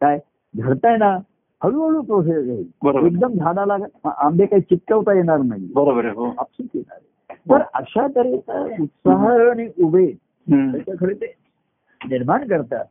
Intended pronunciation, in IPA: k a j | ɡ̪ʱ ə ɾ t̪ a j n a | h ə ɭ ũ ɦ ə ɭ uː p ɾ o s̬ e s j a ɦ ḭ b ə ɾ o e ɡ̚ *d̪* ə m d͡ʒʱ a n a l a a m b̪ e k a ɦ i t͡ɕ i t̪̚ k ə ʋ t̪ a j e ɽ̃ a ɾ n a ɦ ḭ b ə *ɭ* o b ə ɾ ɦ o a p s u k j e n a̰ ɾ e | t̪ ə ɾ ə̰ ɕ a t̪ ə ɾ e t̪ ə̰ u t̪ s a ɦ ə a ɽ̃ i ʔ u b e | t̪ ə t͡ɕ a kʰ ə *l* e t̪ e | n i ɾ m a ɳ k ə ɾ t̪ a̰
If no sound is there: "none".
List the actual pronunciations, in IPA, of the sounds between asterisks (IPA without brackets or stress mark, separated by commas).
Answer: d̪, ɾ, ɽ